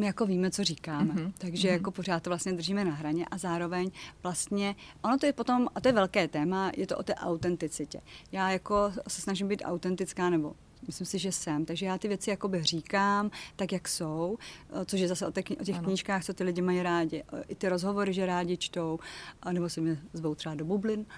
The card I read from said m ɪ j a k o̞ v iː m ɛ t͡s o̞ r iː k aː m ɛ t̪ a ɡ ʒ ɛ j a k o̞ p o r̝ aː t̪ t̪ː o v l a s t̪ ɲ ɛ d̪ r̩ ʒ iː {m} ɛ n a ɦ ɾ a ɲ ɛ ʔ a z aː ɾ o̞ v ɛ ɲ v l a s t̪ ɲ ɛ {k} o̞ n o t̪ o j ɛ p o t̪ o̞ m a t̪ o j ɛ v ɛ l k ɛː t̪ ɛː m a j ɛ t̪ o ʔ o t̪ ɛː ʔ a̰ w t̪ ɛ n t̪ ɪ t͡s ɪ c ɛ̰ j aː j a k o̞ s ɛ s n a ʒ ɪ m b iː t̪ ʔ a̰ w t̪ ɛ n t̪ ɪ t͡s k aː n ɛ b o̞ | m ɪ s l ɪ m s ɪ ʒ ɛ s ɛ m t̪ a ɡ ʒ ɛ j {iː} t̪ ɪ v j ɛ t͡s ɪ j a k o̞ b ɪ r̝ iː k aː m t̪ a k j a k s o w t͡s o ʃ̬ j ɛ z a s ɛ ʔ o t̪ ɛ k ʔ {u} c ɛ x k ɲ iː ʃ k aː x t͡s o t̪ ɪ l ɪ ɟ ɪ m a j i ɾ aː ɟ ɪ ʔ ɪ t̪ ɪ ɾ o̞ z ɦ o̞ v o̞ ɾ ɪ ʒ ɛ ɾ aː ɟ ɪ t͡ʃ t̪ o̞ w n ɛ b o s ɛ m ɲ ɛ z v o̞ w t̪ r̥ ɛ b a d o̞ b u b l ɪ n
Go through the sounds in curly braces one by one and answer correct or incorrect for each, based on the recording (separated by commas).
correct, incorrect, incorrect, incorrect